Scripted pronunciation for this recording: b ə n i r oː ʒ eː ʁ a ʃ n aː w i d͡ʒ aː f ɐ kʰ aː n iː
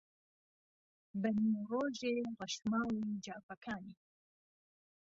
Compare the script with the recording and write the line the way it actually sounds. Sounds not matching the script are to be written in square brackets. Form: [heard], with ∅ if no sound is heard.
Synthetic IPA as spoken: b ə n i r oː ʒ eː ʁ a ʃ [m] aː w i d͡ʒ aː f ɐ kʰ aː n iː